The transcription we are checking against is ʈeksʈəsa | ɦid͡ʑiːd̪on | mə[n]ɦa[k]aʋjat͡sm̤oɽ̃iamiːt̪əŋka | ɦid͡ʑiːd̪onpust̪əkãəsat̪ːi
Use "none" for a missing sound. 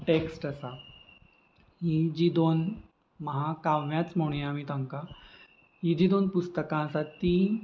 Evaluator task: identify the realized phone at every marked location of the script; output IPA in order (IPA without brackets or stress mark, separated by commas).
none, k